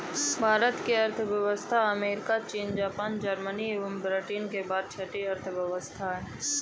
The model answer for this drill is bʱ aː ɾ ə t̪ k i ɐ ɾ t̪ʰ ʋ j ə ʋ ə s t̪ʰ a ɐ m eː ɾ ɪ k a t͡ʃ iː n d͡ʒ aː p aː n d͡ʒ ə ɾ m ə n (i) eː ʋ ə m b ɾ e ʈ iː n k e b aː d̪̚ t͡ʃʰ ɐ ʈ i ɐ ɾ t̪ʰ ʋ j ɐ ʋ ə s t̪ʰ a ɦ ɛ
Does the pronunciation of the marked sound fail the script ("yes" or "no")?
no